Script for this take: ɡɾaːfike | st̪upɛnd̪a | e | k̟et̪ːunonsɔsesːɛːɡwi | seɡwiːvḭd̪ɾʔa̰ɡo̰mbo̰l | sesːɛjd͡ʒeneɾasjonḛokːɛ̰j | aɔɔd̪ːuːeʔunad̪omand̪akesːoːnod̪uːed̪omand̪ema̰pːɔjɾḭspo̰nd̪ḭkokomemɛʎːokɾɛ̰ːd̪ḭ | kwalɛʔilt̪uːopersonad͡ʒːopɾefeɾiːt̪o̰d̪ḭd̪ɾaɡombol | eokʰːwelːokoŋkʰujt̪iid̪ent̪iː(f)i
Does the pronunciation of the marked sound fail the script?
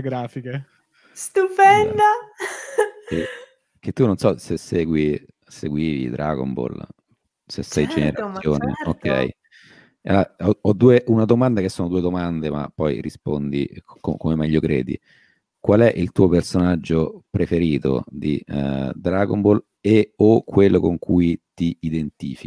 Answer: no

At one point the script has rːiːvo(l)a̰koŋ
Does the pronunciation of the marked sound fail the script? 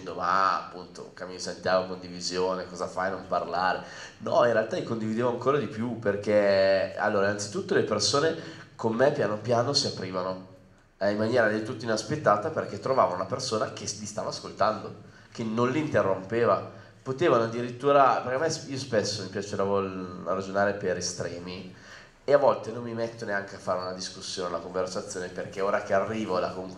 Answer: no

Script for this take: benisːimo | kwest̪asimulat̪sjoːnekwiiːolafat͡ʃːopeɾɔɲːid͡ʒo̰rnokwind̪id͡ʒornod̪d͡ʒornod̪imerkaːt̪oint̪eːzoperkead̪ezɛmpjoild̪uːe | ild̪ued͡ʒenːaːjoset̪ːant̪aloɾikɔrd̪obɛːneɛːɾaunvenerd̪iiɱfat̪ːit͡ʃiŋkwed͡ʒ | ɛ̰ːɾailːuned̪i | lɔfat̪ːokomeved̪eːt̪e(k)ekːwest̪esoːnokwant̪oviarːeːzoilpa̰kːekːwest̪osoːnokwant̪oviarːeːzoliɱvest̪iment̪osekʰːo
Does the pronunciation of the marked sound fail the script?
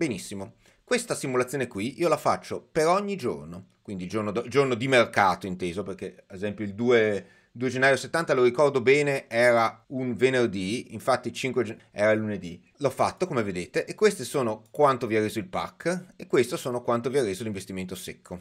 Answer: yes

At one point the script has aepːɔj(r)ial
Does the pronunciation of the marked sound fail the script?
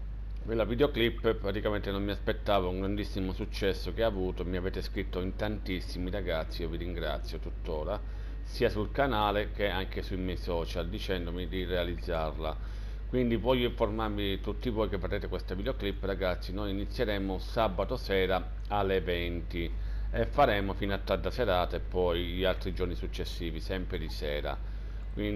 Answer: yes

